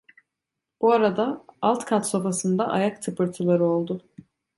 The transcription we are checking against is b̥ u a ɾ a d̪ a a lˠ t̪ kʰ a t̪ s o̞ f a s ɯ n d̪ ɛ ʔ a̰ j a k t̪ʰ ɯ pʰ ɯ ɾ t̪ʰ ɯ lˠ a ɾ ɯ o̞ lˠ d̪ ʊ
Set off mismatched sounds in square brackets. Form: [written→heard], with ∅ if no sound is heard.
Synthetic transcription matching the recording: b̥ u a ɾ a d̪ a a lˠ t̪ kʰ a t̪ s o̞ f a s ɯ n d̪ [ɛ→a] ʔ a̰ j a k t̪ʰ ɯ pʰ ɯ ɾ t̪ʰ ɯ lˠ a ɾ ɯ o̞ lˠ d̪ ʊ